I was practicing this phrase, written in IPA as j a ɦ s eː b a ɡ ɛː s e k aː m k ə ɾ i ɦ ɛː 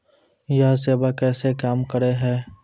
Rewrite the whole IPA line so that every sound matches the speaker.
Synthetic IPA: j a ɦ s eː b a k ɛː s e k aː m k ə ɾ e ɦ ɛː